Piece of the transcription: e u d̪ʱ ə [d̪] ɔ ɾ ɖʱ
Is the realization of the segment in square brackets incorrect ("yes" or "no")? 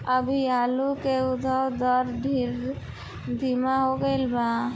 no